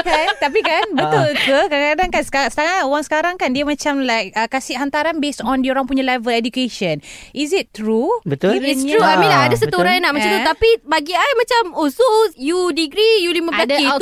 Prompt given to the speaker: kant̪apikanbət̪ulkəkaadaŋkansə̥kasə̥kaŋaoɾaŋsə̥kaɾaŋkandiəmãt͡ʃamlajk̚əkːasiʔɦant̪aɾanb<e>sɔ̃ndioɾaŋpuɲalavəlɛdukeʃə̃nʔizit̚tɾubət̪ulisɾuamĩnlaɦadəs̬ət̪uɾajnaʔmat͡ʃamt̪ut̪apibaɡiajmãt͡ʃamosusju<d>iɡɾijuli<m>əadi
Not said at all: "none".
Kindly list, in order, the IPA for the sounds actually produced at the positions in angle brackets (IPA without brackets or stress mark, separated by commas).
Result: e, d, m